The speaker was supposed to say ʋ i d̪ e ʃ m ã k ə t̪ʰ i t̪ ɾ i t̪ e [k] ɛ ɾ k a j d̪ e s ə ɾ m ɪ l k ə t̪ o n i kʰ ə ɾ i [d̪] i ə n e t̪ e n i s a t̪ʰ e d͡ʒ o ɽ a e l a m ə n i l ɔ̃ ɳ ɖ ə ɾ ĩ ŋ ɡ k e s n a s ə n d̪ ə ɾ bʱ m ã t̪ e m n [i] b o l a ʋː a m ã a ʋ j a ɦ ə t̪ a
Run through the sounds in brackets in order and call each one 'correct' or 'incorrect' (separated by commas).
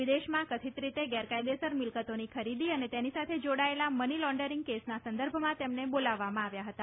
incorrect, correct, incorrect